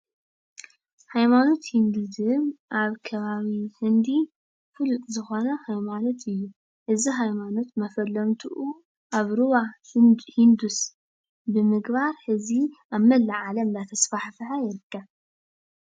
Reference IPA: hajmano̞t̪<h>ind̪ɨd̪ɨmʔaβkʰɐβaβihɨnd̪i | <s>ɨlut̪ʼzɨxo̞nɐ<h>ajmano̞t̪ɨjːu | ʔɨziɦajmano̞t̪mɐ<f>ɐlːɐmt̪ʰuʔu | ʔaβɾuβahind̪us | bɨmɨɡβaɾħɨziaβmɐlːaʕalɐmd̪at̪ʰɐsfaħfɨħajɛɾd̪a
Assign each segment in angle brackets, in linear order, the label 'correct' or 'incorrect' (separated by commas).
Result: correct, incorrect, correct, correct